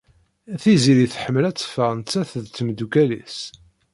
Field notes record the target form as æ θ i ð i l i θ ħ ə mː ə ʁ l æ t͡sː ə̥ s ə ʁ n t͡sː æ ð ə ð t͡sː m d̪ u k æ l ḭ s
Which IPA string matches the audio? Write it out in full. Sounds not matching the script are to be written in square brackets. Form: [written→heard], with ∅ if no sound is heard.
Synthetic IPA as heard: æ θ i [ð→z] i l i θ ħ ə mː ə [ʁ→∅] l æ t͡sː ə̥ [s→f] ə ʁ n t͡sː æ [ð→θ] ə ð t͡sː m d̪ u k æ l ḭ s